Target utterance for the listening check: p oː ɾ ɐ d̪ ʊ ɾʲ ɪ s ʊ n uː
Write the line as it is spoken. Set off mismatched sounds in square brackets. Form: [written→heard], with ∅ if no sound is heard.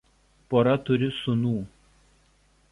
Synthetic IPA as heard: p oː ɾ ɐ [d̪→t̪] ʊ ɾʲ ɪ s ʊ n uː